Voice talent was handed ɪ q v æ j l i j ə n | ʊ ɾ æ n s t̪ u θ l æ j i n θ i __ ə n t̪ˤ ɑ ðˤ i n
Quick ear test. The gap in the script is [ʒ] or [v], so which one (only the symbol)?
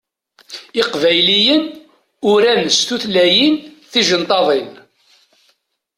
ʒ